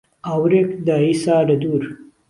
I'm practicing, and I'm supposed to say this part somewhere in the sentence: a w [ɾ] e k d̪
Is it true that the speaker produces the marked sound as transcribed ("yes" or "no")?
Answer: yes